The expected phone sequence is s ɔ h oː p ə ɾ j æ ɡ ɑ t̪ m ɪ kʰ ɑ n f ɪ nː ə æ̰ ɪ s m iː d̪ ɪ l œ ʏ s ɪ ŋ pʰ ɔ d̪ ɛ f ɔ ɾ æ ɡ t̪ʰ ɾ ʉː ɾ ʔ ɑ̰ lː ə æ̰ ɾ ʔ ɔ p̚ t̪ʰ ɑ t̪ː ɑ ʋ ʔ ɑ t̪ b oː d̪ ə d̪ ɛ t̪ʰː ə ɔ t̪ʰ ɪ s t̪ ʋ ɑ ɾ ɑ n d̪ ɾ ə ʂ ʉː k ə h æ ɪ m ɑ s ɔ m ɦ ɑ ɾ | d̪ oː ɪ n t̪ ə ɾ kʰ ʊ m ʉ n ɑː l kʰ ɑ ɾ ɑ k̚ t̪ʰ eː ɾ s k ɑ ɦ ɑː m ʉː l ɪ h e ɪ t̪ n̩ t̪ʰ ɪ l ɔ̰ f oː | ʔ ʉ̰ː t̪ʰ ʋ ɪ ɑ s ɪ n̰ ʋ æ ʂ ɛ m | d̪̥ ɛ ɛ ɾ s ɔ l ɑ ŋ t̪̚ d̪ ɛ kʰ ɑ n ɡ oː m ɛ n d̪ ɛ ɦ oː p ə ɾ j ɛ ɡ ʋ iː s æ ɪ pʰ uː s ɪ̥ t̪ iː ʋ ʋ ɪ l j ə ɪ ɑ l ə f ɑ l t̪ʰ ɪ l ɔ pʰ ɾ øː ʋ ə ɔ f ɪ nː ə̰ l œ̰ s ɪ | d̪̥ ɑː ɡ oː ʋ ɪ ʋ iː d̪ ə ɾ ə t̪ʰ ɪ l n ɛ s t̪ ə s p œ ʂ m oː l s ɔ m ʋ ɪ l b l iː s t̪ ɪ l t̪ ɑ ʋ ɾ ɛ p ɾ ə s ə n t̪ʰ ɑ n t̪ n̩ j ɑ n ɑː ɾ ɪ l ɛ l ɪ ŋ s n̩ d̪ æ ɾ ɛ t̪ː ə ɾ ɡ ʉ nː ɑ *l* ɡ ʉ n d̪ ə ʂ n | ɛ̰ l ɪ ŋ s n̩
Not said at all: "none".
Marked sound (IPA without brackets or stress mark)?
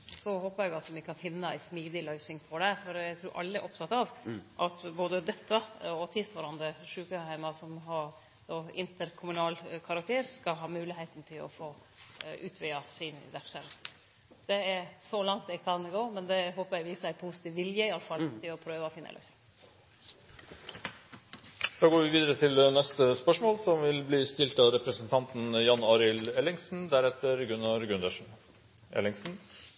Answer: ɾ